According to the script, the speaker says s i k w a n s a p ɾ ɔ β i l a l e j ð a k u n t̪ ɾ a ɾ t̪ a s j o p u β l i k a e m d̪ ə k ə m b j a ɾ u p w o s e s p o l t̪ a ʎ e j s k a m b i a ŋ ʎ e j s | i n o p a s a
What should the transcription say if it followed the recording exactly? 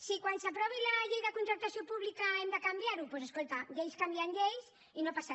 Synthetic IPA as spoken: s i k w a n s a p ɾ ɔ β i l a ʎ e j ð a k u n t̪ ɾ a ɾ t̪ a s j o p u β l i k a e m d̪ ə k a m b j a ɾ u p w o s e s k o l t̪ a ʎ e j s k a m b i a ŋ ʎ e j s | i n o p a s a